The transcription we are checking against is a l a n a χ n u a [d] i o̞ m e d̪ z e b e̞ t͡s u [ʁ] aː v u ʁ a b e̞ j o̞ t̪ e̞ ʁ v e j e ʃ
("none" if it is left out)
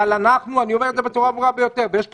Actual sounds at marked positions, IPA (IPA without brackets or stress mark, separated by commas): n, ʁ